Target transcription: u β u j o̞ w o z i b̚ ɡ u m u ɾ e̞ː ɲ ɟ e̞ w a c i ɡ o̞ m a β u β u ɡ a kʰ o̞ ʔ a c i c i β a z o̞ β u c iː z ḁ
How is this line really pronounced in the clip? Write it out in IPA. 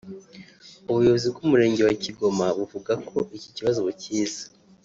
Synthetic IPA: u β u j o̞ β o z i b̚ ɡ u m u ɾ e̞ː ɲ ɟ e̞ w a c i ɡ o̞ m a β u v u ɡ a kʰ o̞ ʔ i c i c i β a z o̞ β u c iː z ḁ